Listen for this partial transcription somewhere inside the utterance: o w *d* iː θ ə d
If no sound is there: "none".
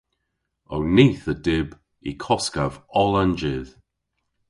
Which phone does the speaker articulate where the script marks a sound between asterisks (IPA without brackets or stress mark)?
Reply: n